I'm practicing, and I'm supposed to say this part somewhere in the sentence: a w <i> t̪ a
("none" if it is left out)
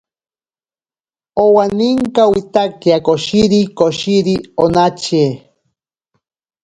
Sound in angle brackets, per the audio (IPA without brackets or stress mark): i